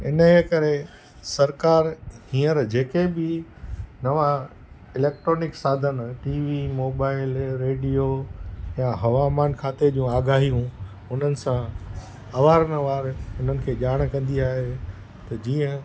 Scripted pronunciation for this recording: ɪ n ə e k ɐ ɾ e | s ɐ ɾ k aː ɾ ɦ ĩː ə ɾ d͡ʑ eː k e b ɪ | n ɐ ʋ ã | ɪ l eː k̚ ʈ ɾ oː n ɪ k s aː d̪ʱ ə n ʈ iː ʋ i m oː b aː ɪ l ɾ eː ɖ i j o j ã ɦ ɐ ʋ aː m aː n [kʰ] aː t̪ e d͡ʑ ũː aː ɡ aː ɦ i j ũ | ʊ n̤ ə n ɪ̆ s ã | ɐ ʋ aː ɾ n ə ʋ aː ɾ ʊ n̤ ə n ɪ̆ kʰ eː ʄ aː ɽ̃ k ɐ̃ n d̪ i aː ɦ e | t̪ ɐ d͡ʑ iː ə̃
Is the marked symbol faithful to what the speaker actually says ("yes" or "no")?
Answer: yes